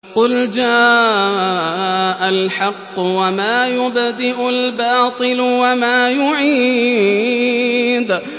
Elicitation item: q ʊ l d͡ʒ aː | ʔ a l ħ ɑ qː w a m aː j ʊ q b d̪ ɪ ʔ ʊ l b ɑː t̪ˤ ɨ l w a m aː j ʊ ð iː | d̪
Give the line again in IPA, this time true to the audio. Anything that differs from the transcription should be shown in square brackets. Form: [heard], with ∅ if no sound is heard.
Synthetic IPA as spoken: q ʊ l d͡ʒ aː | ʔ a l ħ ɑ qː w a m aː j ʊ [∅] b d̪ ɪ ʔ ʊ l b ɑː t̪ˤ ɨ l w a m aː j ʊ [ʕ] iː | d̪